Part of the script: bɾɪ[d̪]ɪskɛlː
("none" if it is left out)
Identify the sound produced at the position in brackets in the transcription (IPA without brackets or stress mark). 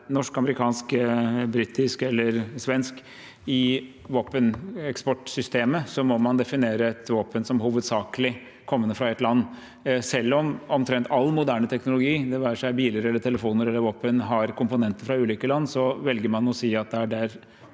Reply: t̪